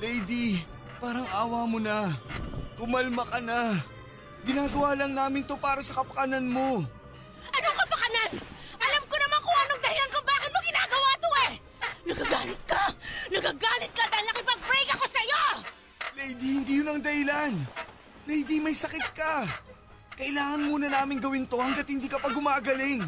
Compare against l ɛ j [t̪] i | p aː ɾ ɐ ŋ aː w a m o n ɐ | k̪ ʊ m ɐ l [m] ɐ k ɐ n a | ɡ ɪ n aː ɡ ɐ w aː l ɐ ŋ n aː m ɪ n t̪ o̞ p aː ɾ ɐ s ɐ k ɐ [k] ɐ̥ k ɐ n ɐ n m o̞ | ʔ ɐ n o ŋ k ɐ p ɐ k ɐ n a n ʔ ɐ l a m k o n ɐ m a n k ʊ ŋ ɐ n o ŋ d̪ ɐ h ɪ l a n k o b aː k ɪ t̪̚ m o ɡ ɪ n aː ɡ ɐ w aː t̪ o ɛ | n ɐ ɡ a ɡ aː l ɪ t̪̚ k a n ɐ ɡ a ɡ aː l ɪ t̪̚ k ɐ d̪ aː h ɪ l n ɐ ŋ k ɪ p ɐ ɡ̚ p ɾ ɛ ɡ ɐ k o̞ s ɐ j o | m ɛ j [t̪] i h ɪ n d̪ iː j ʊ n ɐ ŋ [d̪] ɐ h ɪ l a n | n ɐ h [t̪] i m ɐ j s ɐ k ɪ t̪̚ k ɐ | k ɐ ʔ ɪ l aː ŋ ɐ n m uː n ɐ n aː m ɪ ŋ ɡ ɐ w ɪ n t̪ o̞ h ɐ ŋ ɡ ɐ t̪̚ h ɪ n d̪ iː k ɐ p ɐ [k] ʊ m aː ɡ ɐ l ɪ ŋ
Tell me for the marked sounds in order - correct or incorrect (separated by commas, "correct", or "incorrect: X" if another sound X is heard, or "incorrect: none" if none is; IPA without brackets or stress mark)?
incorrect: d̪, correct, incorrect: p, incorrect: d̪, correct, incorrect: d̪, incorrect: ɡ